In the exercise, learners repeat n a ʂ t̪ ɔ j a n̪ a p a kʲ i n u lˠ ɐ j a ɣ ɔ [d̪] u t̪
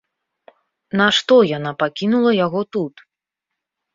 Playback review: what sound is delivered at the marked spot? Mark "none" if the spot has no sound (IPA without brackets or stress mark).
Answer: t̪